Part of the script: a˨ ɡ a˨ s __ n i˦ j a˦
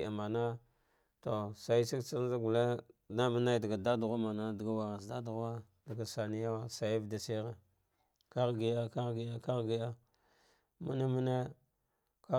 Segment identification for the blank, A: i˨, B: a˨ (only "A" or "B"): B